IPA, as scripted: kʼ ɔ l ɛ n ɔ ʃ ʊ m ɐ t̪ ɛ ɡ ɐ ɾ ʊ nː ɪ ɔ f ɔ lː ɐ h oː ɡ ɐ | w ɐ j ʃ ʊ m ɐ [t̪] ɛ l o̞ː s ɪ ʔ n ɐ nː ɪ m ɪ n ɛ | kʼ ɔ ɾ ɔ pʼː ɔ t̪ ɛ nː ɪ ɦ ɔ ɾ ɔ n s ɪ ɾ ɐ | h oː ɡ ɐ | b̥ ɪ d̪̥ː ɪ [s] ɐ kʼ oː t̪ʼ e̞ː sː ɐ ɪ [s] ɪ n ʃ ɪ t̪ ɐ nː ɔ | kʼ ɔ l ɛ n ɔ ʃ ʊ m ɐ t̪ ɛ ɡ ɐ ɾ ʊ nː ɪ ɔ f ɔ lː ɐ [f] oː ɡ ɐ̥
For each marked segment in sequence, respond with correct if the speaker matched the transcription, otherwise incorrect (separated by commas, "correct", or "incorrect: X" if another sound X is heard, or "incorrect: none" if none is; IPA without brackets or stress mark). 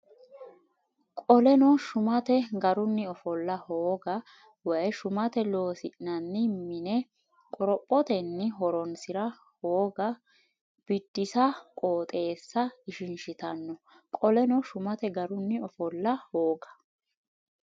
correct, correct, incorrect: ʃ, incorrect: h